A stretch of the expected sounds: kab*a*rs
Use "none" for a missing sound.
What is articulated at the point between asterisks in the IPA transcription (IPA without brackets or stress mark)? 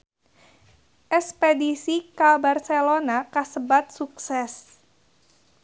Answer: a